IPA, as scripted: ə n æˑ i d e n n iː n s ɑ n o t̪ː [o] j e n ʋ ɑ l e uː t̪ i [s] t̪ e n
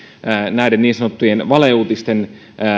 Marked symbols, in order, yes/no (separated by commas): no, yes